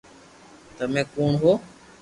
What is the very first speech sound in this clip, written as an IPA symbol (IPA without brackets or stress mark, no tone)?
t̪